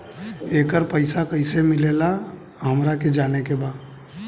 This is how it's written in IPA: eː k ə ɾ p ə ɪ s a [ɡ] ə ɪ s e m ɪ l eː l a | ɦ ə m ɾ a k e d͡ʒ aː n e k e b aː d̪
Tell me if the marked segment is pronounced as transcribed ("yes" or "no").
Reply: no